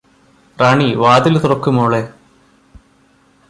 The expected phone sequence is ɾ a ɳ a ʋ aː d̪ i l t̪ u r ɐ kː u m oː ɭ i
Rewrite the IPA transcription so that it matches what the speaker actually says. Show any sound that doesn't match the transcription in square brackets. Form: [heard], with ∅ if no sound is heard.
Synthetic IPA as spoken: [r] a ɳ [i] ʋ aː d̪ i l t̪ u r ɐ kː u m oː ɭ [e]